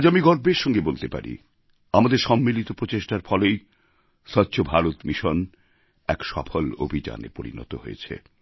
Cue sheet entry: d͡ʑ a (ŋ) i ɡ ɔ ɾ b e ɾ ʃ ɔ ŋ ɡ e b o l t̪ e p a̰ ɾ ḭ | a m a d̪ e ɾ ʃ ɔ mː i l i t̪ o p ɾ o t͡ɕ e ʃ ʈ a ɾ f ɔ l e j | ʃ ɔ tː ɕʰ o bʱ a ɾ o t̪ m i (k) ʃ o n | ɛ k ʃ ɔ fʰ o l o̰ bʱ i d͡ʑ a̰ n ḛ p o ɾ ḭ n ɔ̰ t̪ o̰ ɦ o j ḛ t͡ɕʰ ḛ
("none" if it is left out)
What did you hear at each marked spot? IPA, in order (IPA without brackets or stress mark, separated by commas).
m, none